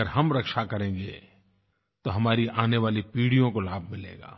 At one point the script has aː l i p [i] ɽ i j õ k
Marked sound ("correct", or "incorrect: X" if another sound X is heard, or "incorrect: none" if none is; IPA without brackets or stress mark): incorrect: iː